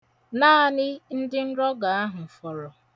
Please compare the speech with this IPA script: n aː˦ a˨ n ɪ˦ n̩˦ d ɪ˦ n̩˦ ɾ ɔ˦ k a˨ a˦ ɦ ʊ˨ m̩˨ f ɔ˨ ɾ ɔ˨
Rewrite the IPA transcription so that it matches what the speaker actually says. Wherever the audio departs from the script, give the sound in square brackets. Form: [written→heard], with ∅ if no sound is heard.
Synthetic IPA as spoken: n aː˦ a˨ n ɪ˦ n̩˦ d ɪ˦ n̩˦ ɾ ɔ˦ [k→ɡ] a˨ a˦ ɦ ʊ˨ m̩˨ f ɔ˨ ɾ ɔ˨